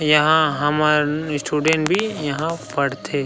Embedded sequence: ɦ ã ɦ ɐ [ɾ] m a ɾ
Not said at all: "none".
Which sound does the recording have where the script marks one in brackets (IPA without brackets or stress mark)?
none